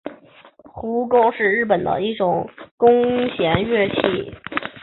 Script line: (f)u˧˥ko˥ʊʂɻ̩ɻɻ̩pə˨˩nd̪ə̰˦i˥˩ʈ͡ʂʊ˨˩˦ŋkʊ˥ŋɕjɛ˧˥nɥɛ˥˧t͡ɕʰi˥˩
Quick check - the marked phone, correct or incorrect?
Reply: incorrect